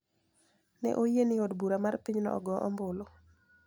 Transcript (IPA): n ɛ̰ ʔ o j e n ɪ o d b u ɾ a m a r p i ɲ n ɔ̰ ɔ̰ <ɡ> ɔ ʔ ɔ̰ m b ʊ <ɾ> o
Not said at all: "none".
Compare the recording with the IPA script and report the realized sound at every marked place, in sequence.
ɡ, l

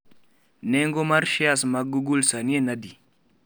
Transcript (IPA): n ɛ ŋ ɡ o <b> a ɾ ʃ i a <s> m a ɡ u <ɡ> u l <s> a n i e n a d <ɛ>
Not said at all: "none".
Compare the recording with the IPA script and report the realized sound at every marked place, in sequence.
m, s, ɡ, s, i

